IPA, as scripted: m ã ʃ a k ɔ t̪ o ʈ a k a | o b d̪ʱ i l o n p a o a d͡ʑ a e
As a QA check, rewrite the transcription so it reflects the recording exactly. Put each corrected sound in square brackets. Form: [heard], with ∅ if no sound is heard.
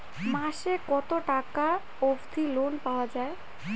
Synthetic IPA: m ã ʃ [e] k ɔ t̪ o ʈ a k a | o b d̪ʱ i l o n p a o a d͡ʑ a e